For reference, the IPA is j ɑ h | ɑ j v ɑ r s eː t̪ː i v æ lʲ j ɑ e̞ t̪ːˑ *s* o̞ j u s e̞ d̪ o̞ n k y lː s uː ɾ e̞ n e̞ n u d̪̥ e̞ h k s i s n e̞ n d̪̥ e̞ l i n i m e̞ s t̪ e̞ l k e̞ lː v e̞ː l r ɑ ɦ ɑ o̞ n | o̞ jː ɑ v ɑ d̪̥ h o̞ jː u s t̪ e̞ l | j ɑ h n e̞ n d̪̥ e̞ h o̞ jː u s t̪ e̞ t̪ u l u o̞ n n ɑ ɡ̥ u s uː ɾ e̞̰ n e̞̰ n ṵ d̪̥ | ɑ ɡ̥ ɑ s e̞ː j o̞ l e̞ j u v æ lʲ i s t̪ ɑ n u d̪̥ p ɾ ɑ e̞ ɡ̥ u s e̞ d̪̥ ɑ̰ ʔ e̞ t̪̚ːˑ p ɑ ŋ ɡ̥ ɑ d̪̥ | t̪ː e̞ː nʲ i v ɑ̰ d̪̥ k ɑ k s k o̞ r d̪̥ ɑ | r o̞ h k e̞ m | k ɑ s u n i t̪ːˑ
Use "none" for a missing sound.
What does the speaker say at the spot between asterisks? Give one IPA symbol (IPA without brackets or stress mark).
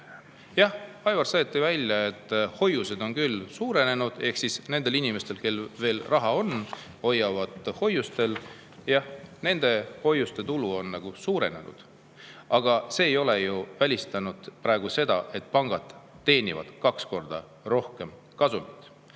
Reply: h